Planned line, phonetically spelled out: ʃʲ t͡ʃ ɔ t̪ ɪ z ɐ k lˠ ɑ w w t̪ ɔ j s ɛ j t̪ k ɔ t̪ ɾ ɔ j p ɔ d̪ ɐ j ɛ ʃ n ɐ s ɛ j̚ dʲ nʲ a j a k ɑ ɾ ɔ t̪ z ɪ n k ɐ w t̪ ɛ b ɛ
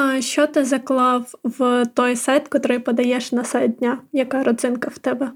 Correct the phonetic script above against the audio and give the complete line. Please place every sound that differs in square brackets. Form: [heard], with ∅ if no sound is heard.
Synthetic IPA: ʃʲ t͡ʃ ɔ t̪ ɪ z ɐ k lˠ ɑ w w t̪ ɔ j s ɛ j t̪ k ɔ t̪ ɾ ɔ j p ɔ d̪ ɐ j ɛ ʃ n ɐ s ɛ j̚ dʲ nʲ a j [ɐ] k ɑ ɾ ɔ [d̪] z ɪ n k ɐ w t̪ ɛ b ɛ